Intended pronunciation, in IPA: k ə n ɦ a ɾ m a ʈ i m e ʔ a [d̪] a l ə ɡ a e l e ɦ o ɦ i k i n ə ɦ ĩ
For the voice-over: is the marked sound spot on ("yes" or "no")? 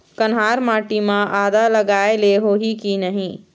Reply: yes